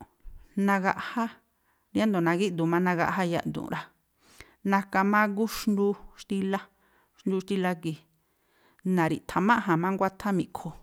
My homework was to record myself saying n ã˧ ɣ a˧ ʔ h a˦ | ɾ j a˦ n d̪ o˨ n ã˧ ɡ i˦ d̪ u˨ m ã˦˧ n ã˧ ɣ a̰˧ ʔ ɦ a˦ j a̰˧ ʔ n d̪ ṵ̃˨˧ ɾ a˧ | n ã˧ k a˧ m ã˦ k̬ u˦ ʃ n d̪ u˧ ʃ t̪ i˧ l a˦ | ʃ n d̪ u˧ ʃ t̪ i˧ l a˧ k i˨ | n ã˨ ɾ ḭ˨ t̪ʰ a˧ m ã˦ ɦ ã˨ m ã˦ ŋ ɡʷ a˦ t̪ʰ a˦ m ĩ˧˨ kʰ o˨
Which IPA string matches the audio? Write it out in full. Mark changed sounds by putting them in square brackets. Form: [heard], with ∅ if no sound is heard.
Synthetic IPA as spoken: n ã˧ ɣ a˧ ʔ h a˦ | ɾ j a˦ n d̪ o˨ n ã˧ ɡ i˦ d̪ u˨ m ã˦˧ n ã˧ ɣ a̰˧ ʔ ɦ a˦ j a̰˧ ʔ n d̪ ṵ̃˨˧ ɾ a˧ | n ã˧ k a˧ m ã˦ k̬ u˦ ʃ n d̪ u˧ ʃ t̪ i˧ l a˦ | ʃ n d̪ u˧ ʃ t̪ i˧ l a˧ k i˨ | n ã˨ ɾ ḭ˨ t̪ʰ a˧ m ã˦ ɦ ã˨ m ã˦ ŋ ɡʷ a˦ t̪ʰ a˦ m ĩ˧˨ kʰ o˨

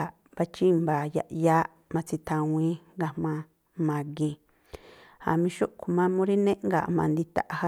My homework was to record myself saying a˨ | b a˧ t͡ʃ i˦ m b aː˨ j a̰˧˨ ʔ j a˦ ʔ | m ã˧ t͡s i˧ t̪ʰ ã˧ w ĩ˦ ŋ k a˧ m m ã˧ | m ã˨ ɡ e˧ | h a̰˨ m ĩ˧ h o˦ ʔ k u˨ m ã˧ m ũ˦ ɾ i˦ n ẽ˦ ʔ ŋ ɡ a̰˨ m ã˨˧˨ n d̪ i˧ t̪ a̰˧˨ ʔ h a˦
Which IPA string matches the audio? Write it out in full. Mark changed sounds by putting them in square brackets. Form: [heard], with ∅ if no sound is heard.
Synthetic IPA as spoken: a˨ | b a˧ t͡ʃ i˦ m b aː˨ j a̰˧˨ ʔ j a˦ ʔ | m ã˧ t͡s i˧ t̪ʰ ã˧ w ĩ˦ ŋ [ɡ] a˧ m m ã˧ | m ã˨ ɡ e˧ | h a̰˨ m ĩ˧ [ʃ] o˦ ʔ k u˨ m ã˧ m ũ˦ ɾ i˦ n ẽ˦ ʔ ŋ ɡ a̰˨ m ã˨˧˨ n d̪ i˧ t̪ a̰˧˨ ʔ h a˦

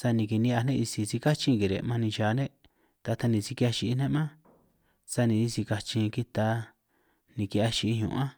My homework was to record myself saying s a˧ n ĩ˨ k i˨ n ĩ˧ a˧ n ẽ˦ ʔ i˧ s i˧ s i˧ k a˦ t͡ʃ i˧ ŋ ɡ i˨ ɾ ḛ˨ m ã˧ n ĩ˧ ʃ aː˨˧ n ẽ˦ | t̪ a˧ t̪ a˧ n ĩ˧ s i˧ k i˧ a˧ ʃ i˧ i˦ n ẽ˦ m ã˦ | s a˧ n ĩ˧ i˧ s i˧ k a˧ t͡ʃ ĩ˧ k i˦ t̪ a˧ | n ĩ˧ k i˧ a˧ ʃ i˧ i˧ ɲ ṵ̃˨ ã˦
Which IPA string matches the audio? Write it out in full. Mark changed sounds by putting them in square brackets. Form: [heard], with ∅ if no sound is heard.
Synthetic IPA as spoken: s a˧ n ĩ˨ k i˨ n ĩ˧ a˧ n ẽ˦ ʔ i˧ s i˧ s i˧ k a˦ t͡ʃ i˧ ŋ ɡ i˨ ɾ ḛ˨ m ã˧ n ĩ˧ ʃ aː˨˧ n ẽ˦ | t̪ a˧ t̪ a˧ n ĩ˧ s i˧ k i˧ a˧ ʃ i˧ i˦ n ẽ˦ m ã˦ | s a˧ n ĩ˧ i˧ s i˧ k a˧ t͡ʃ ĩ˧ k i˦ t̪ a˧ | n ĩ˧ k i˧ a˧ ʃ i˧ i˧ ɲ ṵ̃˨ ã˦

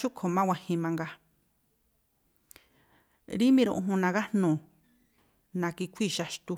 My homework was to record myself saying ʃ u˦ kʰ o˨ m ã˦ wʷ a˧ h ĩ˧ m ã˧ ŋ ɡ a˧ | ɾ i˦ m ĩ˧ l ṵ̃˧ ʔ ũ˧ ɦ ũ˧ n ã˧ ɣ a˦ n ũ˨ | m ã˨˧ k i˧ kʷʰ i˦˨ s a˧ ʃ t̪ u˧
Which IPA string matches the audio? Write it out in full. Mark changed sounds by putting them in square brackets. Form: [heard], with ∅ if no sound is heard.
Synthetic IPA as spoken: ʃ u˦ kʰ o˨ m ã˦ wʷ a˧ h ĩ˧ m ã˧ ŋ ɡ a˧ | ɾ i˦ m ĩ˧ [ɾ] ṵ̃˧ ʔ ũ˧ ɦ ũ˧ n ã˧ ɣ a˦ n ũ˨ | [n] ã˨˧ k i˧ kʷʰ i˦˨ [ʃ] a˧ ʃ t̪ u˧

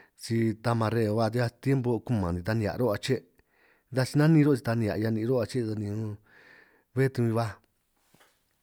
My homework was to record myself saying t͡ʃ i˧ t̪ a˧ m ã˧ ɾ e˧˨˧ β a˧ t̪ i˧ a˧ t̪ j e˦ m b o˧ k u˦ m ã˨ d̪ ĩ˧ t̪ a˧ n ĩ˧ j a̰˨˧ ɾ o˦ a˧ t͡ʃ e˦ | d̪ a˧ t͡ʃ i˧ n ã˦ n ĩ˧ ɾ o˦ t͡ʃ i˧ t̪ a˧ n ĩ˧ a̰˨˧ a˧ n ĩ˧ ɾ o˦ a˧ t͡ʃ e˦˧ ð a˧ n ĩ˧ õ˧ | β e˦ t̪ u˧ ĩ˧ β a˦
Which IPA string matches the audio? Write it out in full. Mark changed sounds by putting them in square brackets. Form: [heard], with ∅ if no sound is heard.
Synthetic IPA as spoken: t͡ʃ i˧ t̪ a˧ m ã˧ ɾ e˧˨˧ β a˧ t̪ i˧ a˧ t̪ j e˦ m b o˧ k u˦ m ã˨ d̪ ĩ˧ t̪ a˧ n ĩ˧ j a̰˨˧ ɾ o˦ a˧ t͡ʃ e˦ | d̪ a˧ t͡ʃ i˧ n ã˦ n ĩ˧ ɾ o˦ t͡ʃ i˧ t̪ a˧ n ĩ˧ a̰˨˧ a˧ n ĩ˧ ɾ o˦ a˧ t͡ʃ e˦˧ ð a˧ n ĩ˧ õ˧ | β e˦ t̪ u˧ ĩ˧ β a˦

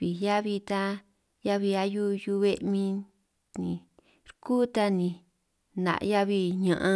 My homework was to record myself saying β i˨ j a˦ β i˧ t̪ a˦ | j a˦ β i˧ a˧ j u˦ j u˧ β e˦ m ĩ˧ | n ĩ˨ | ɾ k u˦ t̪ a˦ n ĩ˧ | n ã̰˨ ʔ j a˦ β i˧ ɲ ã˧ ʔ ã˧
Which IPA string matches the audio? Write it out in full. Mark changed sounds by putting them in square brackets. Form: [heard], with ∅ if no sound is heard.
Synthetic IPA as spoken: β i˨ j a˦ β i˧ t̪ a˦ | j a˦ β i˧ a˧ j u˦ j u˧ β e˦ m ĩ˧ | n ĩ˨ | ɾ k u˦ t̪ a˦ n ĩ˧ | n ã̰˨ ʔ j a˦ β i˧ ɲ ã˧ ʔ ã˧

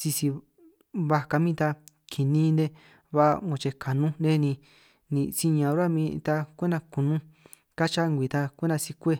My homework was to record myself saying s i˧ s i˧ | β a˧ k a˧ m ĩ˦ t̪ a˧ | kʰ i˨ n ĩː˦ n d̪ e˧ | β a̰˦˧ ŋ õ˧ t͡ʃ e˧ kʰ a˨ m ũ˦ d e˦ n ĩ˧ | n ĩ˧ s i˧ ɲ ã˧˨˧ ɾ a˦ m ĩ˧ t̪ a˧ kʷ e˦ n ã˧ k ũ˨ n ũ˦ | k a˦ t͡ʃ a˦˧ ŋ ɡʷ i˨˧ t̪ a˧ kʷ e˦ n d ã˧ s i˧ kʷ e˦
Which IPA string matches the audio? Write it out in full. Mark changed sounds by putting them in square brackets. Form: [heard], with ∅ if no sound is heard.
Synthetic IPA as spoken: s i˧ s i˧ | β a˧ k a˧ m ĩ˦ t̪ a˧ | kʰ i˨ n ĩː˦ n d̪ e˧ | β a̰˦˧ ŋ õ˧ t͡ʃ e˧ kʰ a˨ [n] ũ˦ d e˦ n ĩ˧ | n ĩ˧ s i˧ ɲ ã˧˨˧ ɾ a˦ m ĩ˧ t̪ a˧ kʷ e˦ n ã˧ k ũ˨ n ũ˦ | k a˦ t͡ʃ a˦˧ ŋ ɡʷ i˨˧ t̪ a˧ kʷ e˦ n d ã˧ s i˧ kʷ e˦

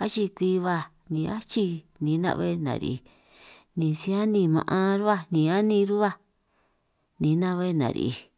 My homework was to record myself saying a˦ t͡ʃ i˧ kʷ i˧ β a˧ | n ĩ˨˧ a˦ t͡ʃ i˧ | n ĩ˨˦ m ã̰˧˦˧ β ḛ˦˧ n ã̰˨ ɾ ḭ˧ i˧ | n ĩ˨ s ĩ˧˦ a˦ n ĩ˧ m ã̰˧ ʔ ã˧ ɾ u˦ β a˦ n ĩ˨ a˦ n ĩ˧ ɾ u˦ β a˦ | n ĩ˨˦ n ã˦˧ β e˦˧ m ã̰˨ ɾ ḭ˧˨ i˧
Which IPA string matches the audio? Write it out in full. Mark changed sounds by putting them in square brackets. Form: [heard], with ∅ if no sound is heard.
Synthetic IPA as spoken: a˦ t͡ʃ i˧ kʷ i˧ β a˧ | n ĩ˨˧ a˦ t͡ʃ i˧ | n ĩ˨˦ [n] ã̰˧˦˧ β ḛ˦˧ n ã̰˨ ɾ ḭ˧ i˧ | n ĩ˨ s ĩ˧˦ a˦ n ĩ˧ m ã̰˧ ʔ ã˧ ɾ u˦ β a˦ n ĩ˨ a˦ n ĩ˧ ɾ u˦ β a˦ | n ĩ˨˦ n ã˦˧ β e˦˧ [n] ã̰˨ ɾ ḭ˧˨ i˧

